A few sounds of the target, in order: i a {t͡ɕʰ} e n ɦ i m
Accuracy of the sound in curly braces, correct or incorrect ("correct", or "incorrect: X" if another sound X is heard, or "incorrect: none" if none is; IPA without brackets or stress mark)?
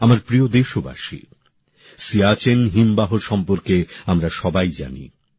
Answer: incorrect: t͡ɕ